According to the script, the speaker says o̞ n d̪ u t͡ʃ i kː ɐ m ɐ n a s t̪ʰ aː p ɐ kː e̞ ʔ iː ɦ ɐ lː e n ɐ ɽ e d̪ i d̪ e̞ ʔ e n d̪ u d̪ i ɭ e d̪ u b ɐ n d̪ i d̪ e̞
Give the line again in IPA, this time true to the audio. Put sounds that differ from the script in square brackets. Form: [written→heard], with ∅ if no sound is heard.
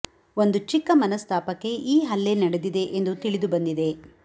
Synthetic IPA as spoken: o̞ n d̪ u t͡ʃ i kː ɐ m ɐ n [a→ɐ] s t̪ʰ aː p ɐ kː e̞ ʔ iː ɦ ɐ lː e n ɐ ɽ e d̪ i d̪ e̞ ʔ e n d̪ u [d̪→t̪] i ɭ [e→i] d̪ u b ɐ n d̪ i d̪ e̞